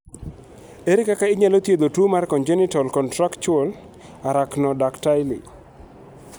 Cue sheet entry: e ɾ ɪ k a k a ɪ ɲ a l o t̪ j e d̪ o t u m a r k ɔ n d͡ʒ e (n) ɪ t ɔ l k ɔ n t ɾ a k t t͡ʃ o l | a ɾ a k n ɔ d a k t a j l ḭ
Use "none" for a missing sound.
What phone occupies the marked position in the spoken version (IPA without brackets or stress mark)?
n